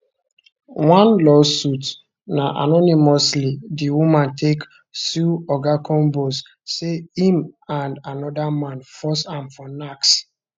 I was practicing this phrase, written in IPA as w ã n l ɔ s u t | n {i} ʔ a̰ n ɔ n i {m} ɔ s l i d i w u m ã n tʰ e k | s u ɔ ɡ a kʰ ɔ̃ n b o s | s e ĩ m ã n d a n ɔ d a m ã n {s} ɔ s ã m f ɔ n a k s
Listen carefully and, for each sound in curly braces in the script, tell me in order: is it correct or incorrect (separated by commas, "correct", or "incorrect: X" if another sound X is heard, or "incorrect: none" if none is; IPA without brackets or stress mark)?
incorrect: a, correct, incorrect: f